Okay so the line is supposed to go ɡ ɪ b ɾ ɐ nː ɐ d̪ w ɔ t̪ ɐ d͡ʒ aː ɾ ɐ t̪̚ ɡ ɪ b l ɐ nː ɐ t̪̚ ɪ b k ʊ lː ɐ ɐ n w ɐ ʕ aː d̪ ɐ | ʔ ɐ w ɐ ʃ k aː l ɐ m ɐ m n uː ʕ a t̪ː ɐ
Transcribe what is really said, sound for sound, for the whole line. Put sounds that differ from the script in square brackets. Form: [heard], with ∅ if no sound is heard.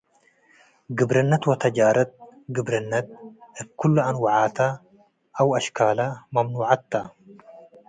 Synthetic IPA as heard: ɡ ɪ b ɾ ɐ nː ɐ [t̪] w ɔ t̪ ɐ d͡ʒ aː ɾ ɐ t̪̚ ɡ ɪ b [ɾ] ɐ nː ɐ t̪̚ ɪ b k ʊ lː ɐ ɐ n w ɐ ʕ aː [t̪] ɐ | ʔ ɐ w ɐ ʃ k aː l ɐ m ɐ m n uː ʕ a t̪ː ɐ